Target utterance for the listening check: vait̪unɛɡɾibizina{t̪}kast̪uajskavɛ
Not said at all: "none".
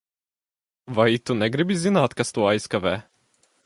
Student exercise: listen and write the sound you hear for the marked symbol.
t̪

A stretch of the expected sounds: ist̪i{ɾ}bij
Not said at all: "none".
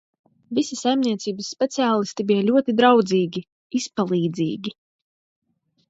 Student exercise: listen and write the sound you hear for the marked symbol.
none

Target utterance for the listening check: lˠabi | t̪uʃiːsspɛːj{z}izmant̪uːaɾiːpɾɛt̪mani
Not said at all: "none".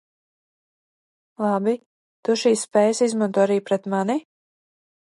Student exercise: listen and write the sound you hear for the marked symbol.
s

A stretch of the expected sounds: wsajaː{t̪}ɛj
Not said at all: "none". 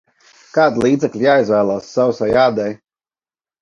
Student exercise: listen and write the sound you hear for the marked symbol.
d̪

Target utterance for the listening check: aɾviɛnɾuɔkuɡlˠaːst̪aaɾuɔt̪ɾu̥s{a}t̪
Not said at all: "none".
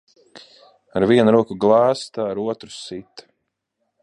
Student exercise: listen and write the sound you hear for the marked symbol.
i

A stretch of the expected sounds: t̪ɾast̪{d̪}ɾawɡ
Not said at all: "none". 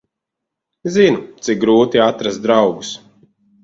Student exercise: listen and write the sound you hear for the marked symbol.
d̪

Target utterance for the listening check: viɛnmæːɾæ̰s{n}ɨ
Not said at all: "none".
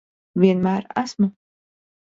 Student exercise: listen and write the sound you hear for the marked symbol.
m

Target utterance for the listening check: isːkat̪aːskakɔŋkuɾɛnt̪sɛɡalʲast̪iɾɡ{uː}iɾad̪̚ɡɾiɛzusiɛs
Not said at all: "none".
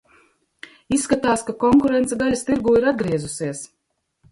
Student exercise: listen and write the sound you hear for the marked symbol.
uː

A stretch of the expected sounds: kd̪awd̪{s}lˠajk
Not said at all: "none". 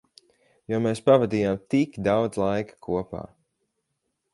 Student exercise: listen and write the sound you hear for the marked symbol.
z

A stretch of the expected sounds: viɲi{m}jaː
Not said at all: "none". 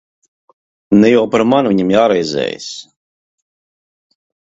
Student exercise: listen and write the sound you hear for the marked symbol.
m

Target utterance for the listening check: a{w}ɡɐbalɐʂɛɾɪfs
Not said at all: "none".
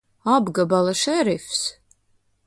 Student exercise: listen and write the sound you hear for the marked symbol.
b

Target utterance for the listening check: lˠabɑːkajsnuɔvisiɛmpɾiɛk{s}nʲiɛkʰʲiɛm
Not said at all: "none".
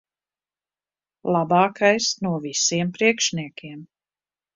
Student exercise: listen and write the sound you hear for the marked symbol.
ʃ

